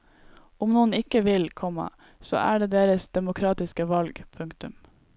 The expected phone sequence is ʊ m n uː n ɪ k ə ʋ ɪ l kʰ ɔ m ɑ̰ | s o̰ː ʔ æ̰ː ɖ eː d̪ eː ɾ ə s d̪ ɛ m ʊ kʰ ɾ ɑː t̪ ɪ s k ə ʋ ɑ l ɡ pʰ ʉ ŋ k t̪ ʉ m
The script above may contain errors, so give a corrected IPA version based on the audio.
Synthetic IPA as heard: ʊ m n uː n ɪ k ə ʋ ɪ l kʰ ɔ m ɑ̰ | s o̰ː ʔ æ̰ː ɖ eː d̪ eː ɾ ə s d̪ ɛ m ʊ kʰ ɾ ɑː t̪ ɪ s k ə ʋ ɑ l ɡ pʰ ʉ ŋ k t̪ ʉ m